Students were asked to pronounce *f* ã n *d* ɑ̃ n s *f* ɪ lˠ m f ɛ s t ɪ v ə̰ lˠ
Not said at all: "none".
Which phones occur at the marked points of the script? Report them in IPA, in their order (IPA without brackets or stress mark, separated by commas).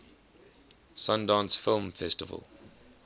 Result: s, d, f